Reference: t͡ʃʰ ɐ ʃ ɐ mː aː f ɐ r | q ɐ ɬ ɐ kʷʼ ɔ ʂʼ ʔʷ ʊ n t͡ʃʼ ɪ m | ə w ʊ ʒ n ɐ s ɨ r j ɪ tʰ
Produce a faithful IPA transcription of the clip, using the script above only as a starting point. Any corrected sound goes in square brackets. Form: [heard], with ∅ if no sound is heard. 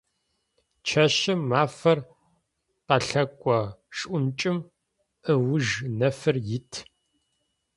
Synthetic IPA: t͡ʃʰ ɐ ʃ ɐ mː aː f ɐ r | q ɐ ɬ ɐ kʷʼ ɔ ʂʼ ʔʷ ʊ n t͡ʃʼ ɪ m | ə w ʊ ʒ n ɐ [f] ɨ r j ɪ tʰ